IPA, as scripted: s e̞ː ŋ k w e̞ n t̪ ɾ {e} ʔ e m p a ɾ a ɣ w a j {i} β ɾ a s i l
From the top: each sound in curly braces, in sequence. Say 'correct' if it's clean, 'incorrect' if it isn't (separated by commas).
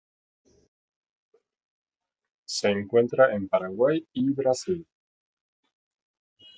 incorrect, correct